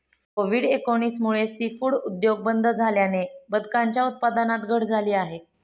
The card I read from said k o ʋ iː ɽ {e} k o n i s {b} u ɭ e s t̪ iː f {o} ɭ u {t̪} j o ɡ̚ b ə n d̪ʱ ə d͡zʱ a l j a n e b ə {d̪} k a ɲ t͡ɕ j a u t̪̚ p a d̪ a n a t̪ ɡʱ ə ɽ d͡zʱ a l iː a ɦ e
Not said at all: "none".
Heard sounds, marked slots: e, m, u, d̪, d̪

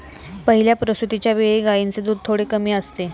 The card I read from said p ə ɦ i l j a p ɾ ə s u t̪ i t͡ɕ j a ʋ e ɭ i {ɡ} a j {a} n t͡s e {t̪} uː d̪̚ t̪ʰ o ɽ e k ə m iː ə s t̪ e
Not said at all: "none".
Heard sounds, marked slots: ɡ, i, d̪

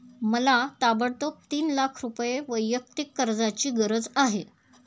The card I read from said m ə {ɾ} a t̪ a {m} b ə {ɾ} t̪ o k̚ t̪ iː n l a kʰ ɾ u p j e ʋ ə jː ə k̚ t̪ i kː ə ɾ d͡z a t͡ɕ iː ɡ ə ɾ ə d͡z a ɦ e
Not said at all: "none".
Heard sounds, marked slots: l, none, ɽ

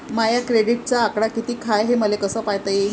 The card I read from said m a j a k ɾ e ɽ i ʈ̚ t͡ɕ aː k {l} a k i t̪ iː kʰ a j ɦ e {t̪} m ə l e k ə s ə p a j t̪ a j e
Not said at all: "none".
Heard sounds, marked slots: ɽ, none

